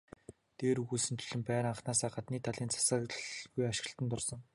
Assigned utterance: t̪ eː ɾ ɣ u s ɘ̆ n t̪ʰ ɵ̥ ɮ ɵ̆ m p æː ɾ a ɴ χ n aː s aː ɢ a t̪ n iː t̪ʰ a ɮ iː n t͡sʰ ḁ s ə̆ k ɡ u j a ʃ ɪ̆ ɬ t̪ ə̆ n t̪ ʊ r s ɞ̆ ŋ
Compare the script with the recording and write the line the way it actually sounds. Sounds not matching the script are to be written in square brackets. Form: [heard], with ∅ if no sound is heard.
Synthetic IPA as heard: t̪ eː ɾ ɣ u s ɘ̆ n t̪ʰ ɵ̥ ɮ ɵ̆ m p æː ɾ a ɴ χ n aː s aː ɢ a t̪ n iː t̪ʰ a ɮ iː n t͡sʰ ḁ s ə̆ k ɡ u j a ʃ ɪ̆ ɬ t̪ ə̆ n t̪ ʊ r s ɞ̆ ŋ